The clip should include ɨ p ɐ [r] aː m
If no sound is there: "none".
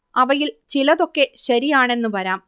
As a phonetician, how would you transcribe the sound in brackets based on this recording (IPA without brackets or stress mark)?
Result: ɾ